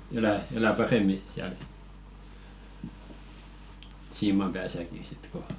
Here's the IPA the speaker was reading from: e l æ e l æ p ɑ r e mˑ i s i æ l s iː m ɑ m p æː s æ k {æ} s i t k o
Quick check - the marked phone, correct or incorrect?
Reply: incorrect